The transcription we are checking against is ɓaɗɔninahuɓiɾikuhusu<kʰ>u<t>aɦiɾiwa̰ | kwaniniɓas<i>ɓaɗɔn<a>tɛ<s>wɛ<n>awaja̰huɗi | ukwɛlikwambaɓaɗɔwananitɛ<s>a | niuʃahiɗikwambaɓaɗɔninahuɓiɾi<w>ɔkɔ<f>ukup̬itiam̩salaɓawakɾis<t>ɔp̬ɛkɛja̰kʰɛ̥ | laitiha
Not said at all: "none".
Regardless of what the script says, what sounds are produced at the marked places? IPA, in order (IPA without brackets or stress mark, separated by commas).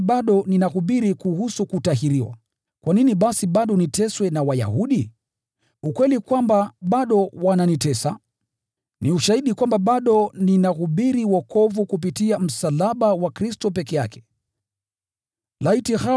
k, t, i, i, s, n, s, w, v, t